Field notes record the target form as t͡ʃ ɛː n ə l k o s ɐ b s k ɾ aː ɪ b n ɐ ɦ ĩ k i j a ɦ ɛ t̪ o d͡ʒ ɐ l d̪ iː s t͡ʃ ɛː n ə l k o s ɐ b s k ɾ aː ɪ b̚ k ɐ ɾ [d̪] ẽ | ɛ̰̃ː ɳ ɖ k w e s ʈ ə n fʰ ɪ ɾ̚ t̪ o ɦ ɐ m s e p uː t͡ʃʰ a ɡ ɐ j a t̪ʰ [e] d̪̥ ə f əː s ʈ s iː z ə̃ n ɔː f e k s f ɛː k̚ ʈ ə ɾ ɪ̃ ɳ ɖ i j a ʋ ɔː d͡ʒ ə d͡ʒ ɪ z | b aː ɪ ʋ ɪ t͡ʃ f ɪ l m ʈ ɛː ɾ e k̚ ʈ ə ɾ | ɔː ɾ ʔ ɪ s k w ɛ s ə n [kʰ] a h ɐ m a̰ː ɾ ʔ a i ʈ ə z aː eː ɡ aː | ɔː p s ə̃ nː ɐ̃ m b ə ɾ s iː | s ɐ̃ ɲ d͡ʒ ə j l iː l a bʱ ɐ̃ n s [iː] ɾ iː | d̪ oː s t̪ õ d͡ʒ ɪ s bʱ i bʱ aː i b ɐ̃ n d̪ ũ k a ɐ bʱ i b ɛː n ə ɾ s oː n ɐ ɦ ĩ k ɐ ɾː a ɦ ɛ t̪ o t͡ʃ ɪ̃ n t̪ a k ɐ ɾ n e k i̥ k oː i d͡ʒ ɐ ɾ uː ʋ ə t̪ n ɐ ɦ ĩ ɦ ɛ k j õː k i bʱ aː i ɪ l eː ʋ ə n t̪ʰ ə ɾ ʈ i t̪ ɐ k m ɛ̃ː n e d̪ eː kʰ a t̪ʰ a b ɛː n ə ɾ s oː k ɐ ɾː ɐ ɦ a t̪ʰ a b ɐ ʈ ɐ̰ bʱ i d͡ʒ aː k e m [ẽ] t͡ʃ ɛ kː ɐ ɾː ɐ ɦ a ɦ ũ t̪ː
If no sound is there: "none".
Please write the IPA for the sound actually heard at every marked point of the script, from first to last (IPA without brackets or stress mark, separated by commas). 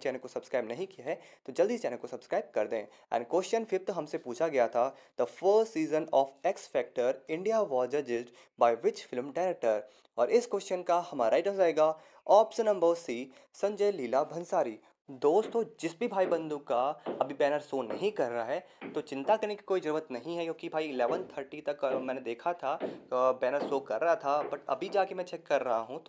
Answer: d̪, a, k, aː, ɛ̃